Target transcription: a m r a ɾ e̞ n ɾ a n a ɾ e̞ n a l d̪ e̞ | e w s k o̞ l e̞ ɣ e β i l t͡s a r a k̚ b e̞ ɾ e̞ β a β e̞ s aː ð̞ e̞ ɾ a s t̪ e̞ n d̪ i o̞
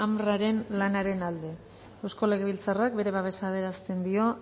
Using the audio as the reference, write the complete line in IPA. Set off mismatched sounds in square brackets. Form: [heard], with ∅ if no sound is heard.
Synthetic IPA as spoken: a m r a ɾ e̞ n [l] a n a ɾ e̞ n a l d̪ e̞ | e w s k o̞ l e̞ ɣ e β i l t͡s a r a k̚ b e̞ ɾ e̞ β a β e̞ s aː ð̞ e̞ ɾ a s t̪ e̞ n d̪ i o̞